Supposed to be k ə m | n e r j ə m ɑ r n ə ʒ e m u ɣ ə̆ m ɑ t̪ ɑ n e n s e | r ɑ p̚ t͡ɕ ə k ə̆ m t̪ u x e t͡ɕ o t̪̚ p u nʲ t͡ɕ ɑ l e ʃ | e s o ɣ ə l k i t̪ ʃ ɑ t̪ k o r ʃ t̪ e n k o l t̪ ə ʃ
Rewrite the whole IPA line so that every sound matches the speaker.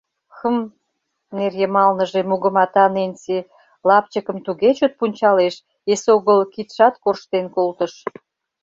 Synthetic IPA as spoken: x ə m | n e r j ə m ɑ l n ə ʒ e m u ɣ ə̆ m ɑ t̪ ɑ n e n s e | l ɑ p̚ t͡ɕ ə k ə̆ m t̪ u ɣ e t͡ɕ o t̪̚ p u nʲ t͡ɕ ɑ l e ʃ | e s o ɣ ə l k i t̪ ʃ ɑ t̪ k o r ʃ t̪ e n k o l t̪ ə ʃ